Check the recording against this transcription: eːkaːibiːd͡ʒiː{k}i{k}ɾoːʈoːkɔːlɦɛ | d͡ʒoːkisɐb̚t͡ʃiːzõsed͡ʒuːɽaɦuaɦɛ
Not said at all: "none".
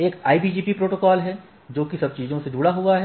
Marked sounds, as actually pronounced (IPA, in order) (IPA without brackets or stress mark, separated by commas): p, p